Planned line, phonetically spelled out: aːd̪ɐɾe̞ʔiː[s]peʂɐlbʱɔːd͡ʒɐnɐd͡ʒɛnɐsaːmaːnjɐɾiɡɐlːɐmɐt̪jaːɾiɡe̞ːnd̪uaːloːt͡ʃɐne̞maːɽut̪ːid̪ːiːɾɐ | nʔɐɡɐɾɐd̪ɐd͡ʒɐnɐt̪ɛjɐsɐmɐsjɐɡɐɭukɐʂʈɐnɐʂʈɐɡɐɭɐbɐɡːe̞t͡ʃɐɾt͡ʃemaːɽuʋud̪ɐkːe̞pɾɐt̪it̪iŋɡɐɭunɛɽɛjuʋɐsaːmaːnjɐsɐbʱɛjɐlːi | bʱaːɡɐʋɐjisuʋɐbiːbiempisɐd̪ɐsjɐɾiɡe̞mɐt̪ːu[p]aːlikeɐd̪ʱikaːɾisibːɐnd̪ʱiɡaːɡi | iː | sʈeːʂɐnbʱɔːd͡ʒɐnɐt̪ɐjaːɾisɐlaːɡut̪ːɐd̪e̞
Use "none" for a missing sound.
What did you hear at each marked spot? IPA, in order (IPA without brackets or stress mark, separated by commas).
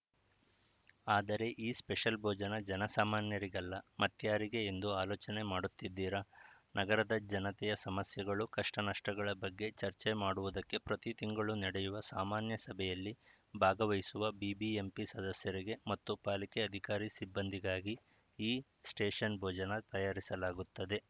s, p